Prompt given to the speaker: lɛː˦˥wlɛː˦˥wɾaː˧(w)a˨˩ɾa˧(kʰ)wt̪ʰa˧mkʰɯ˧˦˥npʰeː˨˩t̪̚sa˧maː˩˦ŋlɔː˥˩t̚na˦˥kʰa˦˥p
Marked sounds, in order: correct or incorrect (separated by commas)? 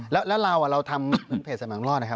correct, incorrect